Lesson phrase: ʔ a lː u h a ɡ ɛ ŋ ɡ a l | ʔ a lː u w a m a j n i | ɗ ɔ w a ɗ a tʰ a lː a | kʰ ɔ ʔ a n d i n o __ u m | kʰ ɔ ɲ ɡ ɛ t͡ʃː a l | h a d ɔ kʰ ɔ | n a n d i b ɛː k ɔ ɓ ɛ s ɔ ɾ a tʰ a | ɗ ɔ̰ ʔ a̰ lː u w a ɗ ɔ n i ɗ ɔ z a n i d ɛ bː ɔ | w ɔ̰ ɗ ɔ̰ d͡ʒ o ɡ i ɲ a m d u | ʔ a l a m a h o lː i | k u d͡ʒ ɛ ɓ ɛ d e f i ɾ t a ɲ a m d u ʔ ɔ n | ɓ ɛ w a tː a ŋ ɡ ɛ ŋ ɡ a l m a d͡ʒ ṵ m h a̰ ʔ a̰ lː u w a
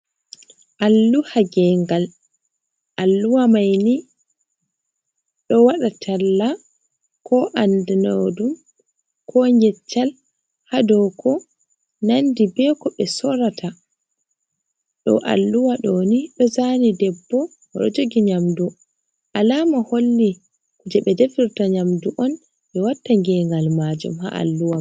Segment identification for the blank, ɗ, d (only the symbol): d